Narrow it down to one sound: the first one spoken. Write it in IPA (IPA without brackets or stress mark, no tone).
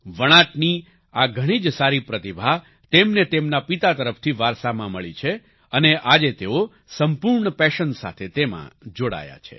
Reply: ʋ